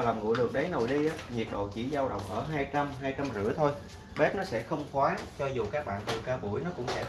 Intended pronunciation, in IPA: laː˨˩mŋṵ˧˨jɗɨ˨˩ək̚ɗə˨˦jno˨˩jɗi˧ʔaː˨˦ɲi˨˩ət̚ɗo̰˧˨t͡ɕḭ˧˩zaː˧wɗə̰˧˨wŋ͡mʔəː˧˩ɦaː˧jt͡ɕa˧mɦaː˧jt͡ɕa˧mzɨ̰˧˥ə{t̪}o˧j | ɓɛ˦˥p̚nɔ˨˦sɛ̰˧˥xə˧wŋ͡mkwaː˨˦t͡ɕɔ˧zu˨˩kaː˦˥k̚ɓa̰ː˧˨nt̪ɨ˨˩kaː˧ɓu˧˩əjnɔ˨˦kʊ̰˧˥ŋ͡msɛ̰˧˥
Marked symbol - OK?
no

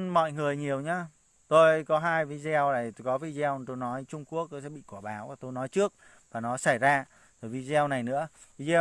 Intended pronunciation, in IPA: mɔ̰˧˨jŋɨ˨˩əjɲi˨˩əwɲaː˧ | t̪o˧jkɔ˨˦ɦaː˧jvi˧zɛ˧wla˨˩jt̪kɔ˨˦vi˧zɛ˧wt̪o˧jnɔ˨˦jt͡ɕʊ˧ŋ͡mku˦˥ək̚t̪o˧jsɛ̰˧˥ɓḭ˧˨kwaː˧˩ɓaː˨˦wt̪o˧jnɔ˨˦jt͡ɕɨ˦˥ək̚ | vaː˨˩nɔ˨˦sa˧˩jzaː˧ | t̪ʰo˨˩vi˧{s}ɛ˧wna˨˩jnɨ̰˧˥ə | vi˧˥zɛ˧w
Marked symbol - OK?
no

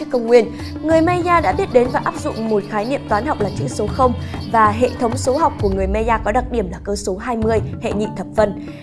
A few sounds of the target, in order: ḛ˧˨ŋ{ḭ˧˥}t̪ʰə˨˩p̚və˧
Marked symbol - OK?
no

